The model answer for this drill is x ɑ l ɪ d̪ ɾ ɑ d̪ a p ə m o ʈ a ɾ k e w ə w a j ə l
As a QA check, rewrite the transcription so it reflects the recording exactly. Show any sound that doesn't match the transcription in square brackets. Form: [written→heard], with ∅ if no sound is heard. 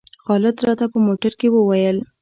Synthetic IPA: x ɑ l ɪ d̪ ɾ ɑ [d̪→t̪] a p ə m o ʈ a ɾ k e w ə w a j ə l